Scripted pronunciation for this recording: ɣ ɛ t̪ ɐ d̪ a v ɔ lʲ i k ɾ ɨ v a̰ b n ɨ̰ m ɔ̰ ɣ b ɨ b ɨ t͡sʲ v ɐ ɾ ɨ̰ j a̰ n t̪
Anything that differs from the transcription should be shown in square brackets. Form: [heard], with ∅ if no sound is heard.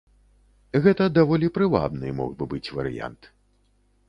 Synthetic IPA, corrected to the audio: ɣ ɛ t̪ ɐ d̪ a v ɔ lʲ i [p] ɾ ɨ v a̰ b n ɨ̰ m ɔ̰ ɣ b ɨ b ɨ t͡sʲ v ɐ ɾ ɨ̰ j a̰ n t̪